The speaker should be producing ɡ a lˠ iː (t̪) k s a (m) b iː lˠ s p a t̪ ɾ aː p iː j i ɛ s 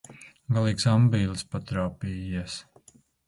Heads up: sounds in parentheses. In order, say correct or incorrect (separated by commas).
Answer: incorrect, correct